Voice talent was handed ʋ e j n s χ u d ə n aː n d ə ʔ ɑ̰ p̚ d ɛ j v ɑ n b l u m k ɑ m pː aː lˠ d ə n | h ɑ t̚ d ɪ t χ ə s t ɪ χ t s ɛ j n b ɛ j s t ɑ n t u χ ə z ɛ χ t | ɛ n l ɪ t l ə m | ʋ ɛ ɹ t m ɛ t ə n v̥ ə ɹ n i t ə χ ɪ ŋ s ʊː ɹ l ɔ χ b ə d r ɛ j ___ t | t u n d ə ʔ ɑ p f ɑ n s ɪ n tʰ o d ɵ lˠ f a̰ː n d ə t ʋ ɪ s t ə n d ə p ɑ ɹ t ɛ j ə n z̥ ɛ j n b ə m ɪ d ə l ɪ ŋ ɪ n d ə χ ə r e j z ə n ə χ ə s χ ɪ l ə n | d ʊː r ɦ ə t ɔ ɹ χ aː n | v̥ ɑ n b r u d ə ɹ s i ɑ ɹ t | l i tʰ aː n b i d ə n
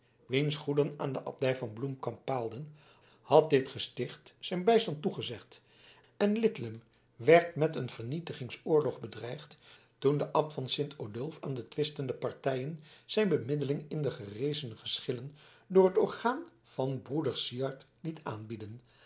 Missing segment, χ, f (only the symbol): χ